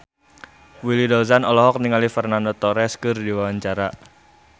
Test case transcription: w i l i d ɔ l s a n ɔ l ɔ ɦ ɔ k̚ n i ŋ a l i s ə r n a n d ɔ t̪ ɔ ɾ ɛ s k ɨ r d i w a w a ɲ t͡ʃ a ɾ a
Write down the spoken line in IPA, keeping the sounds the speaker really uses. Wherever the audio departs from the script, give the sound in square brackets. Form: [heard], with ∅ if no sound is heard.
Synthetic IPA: w i l i d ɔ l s a n ɔ l ɔ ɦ ɔ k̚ n i ŋ a l i [f] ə r n a n d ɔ t̪ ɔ ɾ ɛ s k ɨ r d i w a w a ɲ t͡ʃ a ɾ a